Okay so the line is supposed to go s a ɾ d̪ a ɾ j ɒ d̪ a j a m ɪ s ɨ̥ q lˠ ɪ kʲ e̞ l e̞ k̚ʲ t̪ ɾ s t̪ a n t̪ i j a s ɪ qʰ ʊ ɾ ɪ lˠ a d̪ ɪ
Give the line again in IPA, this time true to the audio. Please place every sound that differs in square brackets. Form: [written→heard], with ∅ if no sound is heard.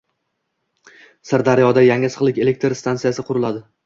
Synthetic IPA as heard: s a ɾ d̪ a ɾ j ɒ d̪ a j a [m→ŋ] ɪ s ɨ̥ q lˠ ɪ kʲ e̞ l e̞ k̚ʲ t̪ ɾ s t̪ a n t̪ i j a s ɪ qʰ ʊ ɾ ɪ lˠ a d̪ ɪ